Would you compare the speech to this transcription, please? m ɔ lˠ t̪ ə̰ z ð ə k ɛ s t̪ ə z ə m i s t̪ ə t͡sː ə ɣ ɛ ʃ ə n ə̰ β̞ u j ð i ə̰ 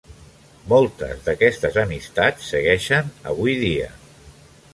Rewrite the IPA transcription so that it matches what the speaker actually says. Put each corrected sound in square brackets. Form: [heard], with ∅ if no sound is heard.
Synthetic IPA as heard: m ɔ lˠ t̪ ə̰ z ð ə k ɛ s t̪ ə z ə m i s t̪ [a] t͡sː ə ɣ ɛ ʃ ə n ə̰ β̞ u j ð i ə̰